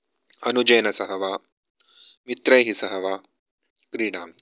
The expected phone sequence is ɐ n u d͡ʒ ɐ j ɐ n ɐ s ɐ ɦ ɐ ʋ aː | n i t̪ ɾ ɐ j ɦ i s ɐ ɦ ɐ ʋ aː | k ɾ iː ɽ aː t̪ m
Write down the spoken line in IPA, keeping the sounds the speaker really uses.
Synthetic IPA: ɐ n u d͡ʒ ɐ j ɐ n ɐ s ɐ ɦ ɐ ʋ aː | m i t̪ ɾ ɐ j ɦ i s ɐ ɦ ɐ ʋ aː | k ɾ iː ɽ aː m